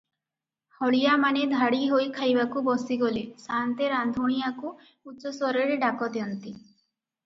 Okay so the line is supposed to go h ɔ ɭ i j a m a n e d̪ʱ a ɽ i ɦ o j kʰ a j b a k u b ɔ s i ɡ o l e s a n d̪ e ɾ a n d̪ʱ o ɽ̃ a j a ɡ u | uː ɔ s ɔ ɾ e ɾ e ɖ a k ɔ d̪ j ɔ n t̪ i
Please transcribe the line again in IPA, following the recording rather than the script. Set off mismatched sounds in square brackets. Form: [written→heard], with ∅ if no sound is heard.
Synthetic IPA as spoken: h ɔ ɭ i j a m a n e d̪ʱ a ɽ i ɦ o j kʰ a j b a k u b ɔ s i ɡ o l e s a n [d̪→t̪] e ɾ a n d̪ʱ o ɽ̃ [a→i] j a [ɡ→k] u | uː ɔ s ɔ ɾ e ɾ e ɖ a k ɔ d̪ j ɔ n t̪ i